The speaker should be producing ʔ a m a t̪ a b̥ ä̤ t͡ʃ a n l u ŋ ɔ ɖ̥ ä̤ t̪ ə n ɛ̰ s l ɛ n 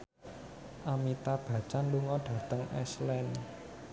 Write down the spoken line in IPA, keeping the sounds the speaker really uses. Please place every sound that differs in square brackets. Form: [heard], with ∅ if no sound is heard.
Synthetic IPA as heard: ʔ a m [i] t̪ a b̥ ä̤ t͡ʃ a n l u ŋ ɔ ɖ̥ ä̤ t̪ ə [ŋ] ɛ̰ s l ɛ n